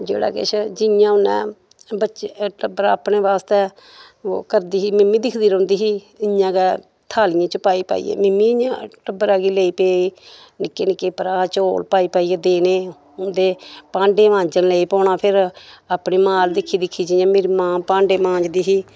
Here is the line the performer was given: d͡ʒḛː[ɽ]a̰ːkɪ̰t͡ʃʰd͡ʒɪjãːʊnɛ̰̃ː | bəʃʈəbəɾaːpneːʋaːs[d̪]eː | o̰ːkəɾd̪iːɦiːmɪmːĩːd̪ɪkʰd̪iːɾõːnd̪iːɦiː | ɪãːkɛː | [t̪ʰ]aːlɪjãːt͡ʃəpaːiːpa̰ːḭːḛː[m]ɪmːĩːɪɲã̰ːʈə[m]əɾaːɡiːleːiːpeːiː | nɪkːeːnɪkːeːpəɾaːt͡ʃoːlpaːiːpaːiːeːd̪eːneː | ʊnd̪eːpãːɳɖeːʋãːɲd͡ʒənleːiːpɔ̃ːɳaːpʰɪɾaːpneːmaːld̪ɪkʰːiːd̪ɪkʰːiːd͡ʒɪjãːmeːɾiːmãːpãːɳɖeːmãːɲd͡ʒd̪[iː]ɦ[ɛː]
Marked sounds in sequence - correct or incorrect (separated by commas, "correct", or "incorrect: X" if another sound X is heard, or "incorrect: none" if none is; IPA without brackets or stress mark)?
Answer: correct, incorrect: t̪, correct, correct, incorrect: b, correct, incorrect: iː